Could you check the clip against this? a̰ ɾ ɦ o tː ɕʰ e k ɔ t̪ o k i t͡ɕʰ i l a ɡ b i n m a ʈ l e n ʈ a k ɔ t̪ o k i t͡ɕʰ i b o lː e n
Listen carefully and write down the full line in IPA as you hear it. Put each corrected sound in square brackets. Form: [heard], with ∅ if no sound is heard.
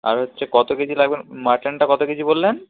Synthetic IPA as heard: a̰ ɾ ɦ o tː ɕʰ e k ɔ t̪ o k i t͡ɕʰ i l a ɡ b [e] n m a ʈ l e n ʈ a k ɔ t̪ o k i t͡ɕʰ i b o lː e n

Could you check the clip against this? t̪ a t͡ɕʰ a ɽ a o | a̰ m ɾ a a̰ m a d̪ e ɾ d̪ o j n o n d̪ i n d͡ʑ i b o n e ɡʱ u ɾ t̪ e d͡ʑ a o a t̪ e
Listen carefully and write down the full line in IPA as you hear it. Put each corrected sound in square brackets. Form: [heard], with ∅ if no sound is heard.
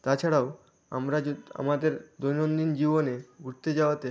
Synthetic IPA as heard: t̪ a t͡ɕʰ a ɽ a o | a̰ m ɾ a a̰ m a d̪ e ɾ d̪ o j n o n d̪ i n d͡ʑ i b o n e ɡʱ u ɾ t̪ e d͡ʑ a o a t̪ e

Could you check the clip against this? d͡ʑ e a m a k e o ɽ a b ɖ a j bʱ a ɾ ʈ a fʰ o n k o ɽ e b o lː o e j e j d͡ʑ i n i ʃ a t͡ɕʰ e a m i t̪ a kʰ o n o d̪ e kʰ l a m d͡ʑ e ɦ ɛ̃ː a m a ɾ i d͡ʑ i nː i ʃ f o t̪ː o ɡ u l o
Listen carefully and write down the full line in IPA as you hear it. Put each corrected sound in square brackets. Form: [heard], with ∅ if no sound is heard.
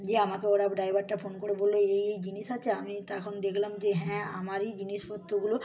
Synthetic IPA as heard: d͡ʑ e a m a k e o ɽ a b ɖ a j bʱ a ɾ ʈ a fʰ o n k o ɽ e b o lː o e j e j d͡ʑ i n i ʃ a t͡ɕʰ e a m i t̪ a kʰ o n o d̪ e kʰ l a m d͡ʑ e ɦ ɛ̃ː a m a ɾ i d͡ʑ i [n] i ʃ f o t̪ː o ɡ u l o

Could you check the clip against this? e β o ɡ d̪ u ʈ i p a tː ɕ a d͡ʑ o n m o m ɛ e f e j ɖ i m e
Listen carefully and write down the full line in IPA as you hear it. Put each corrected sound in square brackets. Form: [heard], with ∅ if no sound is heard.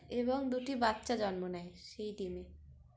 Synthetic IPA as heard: e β o [ŋ] d̪ u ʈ i [b] a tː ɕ a d͡ʑ [ɔ] n m o [n] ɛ e [ʃ] e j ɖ i m e

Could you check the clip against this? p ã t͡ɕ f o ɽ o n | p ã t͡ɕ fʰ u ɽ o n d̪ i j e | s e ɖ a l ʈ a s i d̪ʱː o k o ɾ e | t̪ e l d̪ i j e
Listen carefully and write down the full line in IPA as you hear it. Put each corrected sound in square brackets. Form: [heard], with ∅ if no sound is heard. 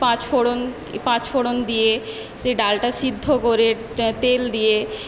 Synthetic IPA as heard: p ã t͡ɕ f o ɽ o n | p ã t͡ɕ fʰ [o] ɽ o n d̪ i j e | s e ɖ a l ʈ a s i d̪ʱː o k o ɾ e | t̪ e l d̪ i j e

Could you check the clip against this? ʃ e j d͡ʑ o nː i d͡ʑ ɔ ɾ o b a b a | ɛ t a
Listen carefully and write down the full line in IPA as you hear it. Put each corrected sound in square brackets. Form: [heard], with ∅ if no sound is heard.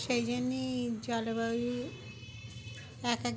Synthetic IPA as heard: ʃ e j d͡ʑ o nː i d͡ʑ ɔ [l] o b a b [i] | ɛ [k] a

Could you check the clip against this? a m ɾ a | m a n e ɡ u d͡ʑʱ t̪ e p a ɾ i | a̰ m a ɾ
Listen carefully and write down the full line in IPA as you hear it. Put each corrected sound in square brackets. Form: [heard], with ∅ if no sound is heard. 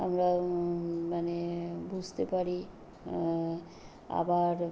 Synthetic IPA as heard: a m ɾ a | m a n e [b] u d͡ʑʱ t̪ e p a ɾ i | a̰ [b] a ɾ

